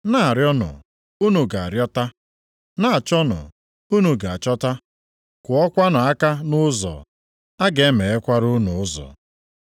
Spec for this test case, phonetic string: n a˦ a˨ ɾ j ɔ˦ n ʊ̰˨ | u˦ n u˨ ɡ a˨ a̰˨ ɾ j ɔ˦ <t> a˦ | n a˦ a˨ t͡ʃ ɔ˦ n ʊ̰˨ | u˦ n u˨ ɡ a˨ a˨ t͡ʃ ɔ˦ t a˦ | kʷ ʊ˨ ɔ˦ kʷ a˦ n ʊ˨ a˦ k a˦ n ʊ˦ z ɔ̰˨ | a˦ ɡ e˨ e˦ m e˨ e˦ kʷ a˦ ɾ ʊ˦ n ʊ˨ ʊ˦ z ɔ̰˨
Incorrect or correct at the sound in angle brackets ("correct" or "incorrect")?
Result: correct